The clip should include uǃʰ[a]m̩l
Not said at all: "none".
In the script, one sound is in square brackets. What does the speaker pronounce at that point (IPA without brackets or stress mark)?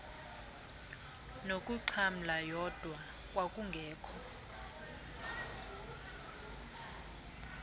a